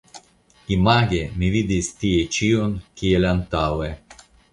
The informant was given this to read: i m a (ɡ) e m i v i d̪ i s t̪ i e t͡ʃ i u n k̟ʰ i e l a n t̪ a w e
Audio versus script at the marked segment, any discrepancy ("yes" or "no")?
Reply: no